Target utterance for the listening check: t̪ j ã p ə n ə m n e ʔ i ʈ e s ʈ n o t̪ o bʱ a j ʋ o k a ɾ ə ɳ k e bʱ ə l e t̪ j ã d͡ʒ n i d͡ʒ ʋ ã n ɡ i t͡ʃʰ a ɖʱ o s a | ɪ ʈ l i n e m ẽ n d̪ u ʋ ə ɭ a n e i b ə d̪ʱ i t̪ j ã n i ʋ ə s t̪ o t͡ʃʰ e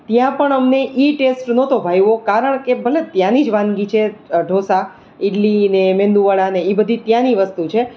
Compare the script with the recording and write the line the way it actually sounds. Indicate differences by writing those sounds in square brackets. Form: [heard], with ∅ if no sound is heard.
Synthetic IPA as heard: t̪ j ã p ə [ɳ] ə m n e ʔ i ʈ e s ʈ n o t̪ o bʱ a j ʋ o k a ɾ ə ɳ k e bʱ ə l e t̪ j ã [∅] n i d͡ʒ ʋ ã n ɡ i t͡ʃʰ [e] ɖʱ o s a | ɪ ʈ l i n e m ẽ n d̪ u ʋ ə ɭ a n e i b ə d̪ʱ i t̪ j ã n i ʋ ə s t̪ [u] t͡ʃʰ e